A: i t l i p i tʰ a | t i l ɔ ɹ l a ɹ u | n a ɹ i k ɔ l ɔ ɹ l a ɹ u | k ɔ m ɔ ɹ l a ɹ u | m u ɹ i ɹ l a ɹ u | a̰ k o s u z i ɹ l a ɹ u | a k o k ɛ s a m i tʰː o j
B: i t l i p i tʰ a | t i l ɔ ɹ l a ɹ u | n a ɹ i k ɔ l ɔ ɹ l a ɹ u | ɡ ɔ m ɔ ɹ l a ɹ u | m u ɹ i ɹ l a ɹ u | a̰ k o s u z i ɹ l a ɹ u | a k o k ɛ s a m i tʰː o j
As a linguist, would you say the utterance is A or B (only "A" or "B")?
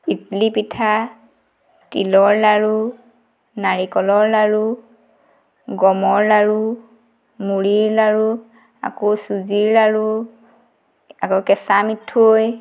B